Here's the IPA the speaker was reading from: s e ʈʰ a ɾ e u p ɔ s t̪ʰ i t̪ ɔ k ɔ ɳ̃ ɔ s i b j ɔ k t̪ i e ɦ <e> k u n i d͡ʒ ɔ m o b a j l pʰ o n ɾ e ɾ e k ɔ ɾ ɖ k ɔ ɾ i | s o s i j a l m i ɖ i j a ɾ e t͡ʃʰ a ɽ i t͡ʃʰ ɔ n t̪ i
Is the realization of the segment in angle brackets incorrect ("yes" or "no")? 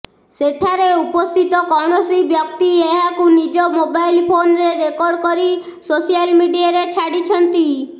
yes